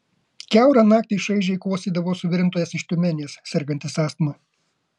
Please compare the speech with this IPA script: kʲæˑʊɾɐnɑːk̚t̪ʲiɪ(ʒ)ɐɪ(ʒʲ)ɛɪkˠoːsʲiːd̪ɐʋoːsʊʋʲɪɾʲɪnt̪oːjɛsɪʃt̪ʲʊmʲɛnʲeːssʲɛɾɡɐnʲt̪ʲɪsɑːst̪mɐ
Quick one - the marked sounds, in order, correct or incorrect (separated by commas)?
incorrect, correct